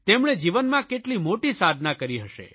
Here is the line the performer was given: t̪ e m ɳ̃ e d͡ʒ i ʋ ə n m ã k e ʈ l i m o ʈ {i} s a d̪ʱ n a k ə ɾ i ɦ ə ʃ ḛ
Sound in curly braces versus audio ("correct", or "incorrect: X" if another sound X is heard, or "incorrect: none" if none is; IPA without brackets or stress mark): correct